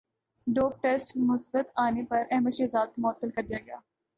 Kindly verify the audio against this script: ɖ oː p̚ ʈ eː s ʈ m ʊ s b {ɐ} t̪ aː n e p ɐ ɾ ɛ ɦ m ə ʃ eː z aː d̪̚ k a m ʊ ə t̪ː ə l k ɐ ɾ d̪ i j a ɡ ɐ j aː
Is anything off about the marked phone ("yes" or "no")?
yes